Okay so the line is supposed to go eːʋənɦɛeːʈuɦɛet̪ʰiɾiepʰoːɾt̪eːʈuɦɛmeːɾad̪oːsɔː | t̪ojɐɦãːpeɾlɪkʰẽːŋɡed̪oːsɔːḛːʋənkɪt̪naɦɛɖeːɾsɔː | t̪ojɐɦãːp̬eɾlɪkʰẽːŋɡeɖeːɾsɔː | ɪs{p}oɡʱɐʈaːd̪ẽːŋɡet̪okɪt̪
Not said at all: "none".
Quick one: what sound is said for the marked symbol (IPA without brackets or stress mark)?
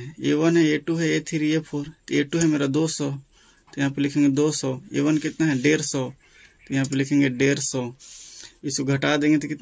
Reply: k